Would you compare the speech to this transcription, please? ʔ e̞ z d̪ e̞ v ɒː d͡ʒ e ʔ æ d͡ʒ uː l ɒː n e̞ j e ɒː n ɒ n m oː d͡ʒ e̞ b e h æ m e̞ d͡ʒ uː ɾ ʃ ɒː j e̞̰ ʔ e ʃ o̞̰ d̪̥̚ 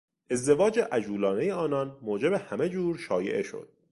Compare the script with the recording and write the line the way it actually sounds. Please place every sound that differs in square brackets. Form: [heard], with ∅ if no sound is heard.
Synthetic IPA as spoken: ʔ e̞ z d̪ e̞ v ɒː d͡ʒ e ʔ æ d͡ʒ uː l ɒː n e̞ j e ɒː n ɒ n m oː d͡ʒ e̞ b e h æ m e̞ d͡ʒ uː ɾ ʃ ɒː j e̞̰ ʔ e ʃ o̞̰ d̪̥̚

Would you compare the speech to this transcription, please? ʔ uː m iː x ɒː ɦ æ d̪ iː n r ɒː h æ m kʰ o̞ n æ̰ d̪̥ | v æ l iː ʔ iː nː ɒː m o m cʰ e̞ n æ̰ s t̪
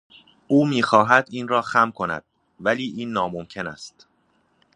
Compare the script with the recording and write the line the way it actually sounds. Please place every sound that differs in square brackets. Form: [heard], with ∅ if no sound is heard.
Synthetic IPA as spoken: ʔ uː m iː x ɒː ɦ æ d̪ iː n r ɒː [x] æ m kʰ o̞ n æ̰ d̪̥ | v æ l iː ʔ iː nː ɒː m o m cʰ e̞ n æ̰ s t̪

